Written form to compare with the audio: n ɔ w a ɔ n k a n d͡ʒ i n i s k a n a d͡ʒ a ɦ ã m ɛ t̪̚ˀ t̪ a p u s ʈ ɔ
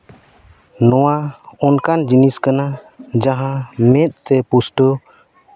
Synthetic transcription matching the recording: n ɔ w a ɔ n k a n d͡ʒ i n i s k a n a d͡ʒ a ɦ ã m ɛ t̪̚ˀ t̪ ɛ p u s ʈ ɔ